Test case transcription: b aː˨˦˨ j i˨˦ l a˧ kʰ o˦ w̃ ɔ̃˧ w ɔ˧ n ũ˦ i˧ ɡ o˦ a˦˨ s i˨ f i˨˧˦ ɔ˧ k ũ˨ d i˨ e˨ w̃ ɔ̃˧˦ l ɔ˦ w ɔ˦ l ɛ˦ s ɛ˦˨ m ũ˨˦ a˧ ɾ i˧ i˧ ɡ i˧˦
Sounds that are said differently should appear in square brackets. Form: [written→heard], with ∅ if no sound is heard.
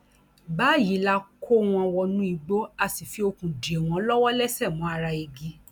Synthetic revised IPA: b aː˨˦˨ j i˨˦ l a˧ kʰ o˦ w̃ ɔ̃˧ w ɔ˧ n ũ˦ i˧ [ɡ→ɡ͡b] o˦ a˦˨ s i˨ f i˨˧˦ [ɔ˧→o˧] k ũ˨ d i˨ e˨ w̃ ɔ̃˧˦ l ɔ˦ w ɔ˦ l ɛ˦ s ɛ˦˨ m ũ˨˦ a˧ ɾ [i˧→a˧] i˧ ɡ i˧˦